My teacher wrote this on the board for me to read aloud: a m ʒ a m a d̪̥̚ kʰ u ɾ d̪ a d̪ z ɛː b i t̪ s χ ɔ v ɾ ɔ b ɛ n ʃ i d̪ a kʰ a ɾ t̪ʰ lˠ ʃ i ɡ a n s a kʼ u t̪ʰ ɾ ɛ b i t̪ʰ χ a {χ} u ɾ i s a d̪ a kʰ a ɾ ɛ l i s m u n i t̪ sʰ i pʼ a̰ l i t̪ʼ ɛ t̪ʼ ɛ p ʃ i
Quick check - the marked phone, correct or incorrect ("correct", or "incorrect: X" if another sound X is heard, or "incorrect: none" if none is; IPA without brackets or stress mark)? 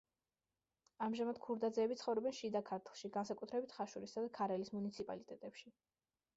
incorrect: ʃ